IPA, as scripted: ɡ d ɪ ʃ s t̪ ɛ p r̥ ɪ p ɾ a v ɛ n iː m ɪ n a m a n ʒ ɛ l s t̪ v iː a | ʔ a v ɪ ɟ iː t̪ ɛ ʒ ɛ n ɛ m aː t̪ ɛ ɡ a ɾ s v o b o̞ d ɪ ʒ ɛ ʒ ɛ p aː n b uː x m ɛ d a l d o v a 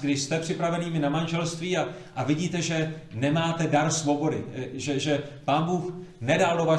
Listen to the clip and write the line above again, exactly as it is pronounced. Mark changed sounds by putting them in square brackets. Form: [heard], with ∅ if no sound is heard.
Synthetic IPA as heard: ɡ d ɪ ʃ s t̪ ɛ p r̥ ɪ p ɾ a v ɛ n iː m ɪ n a m a n ʒ ɛ l s t̪ v iː a | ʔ a v ɪ ɟ iː t̪ ɛ ʒ ɛ n ɛ m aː t̪ ɛ [d] a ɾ s v o b o̞ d ɪ ʒ ɛ ʒ ɛ p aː n b uː x [n] ɛ d a l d o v a